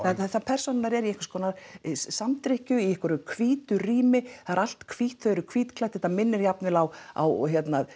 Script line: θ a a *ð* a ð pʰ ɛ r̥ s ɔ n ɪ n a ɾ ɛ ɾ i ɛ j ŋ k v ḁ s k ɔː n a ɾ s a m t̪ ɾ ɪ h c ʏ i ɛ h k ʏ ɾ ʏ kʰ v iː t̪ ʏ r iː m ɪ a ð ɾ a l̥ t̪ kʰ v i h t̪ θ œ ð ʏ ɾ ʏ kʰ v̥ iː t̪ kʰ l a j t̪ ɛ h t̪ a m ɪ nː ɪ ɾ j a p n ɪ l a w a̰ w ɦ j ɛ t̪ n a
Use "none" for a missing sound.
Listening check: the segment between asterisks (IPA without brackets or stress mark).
θ